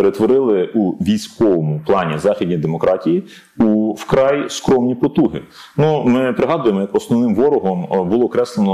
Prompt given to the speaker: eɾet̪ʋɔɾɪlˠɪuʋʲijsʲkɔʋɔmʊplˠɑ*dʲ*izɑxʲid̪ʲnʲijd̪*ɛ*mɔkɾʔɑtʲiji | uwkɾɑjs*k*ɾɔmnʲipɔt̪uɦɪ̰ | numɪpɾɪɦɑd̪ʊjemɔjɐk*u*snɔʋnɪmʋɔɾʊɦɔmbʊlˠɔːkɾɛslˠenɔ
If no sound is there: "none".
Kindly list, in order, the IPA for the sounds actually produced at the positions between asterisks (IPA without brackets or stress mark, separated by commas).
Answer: nʲ, e, k, ɔ